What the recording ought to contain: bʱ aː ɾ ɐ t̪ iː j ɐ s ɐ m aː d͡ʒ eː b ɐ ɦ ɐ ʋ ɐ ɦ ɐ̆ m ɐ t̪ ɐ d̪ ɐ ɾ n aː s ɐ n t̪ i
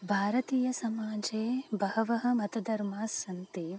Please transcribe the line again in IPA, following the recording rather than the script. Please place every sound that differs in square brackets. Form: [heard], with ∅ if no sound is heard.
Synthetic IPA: bʱ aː ɾ ɐ t̪ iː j ɐ s ɐ m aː d͡ʒ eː b ɐ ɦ ɐ ʋ ɐ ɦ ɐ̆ m ɐ t̪ ɐ d̪ ɐ ɾ [m] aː s ɐ n t̪ i